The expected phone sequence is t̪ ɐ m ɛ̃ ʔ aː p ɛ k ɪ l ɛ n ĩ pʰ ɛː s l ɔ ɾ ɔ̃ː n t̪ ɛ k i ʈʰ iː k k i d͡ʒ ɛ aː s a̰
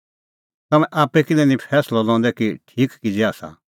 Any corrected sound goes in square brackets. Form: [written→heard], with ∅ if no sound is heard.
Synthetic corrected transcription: t̪ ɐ m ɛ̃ ʔ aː p ɛ k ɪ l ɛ n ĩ pʰ ɛː s l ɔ [ɾ→l] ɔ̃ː n [t̪→d̪] ɛ k i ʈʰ iː k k i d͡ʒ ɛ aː s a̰